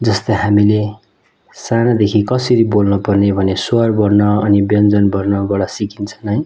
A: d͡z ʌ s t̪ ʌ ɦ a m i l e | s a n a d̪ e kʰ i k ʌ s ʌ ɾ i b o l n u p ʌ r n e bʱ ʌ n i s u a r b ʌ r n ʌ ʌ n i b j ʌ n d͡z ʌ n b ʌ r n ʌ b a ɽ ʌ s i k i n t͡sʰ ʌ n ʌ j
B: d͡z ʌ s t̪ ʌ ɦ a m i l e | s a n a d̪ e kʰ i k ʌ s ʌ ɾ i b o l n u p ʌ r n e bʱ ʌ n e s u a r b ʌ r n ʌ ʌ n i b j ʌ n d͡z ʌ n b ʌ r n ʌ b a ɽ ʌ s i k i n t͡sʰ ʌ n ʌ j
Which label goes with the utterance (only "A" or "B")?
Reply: B